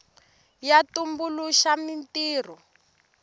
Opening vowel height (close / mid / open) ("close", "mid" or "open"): open